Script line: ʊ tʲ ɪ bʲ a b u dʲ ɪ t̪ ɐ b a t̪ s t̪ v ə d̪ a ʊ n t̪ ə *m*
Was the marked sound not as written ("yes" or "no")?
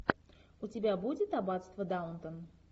yes